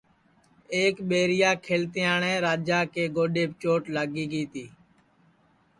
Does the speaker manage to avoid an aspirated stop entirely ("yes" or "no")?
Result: no